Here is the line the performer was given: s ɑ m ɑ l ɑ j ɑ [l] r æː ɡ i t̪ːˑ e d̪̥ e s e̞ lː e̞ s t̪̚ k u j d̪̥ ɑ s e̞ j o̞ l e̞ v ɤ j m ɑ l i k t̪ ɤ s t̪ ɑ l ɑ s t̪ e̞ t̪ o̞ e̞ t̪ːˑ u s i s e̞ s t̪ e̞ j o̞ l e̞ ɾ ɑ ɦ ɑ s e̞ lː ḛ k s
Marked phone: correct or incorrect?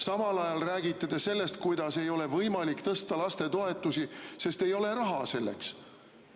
correct